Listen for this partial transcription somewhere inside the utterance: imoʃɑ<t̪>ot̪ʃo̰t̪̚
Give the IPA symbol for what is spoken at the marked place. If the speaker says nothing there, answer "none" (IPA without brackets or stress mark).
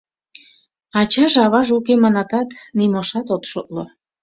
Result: t̪